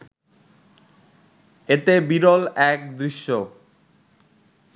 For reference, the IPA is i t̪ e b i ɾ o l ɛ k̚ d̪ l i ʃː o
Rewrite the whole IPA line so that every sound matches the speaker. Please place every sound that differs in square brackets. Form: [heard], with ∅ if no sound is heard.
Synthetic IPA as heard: [e] t̪ e b i ɾ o l ɛ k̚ d̪ [ɾ] i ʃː o